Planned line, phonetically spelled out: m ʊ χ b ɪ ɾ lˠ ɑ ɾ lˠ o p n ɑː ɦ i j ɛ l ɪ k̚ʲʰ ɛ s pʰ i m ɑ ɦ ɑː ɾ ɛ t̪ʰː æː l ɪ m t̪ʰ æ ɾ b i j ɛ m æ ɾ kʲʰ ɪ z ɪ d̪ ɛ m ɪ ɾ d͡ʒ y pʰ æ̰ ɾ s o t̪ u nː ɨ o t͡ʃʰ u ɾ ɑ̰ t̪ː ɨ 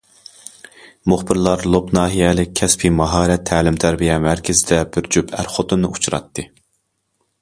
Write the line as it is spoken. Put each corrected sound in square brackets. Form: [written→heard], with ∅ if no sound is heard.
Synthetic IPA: m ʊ χ b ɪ ɾ lˠ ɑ ɾ lˠ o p n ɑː ɦ i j ɛ l ɪ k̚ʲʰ ɛ s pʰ i m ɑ ɦ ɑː ɾ ɛ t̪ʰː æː l ɪ m t̪ʰ æ ɾ b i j ɛ m æ ɾ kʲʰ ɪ z ɪ d̪ ɛ [m→b] ɪ ɾ d͡ʒ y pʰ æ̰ ɾ [s→χ] o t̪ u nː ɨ [o→u] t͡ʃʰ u ɾ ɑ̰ t̪ː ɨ